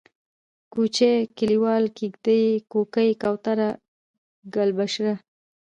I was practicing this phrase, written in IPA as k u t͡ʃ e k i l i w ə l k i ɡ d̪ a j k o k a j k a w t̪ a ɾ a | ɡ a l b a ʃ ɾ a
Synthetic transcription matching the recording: k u t͡ʃ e k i l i w ɑ l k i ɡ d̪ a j k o k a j k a w t̪ a ɾ a | ɡ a l b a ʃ ɾ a